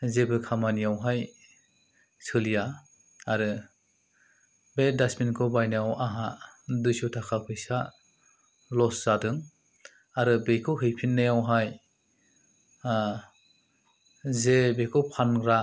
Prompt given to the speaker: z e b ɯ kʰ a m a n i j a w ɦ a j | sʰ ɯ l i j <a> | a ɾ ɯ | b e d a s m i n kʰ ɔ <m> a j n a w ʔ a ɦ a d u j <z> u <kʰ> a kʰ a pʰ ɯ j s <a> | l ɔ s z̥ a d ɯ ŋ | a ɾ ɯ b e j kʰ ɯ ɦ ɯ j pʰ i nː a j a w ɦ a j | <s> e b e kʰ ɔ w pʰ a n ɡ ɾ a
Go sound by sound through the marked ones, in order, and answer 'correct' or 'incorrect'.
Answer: correct, incorrect: b, incorrect: s, incorrect: tʰ, correct, incorrect: z

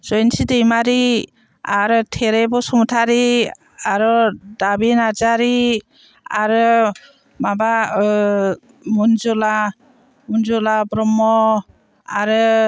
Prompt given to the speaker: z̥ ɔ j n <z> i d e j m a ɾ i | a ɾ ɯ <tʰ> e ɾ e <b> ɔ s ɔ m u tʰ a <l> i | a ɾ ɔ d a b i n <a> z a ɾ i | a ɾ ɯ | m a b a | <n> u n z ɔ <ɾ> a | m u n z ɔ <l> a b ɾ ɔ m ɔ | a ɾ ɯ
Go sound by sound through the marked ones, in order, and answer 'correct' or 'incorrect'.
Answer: incorrect: s, correct, correct, incorrect: ɾ, correct, incorrect: m, incorrect: l, correct

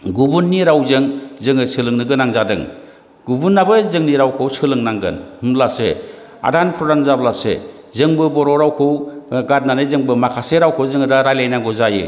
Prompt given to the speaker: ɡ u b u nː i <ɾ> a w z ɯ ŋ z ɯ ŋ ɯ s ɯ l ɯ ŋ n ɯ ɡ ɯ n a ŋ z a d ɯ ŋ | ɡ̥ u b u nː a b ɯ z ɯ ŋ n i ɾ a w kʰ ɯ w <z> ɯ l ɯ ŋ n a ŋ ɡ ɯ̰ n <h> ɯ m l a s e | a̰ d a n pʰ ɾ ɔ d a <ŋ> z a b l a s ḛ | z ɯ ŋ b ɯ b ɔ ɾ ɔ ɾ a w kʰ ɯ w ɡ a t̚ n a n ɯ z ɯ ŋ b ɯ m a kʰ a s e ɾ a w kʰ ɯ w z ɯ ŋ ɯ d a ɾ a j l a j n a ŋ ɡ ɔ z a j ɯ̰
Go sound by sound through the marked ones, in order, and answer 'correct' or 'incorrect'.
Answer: correct, incorrect: s, correct, incorrect: n

